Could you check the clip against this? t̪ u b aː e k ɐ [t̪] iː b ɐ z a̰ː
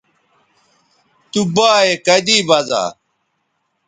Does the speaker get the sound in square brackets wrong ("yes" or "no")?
yes